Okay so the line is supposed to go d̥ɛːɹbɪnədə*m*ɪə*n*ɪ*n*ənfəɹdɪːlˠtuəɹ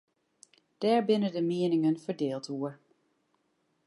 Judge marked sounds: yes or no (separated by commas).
yes, yes, no